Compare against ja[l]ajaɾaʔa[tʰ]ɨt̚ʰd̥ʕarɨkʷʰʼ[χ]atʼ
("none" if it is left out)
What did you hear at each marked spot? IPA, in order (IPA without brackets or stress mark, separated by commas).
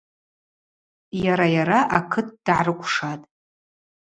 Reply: ɾ, kʰ, ʂ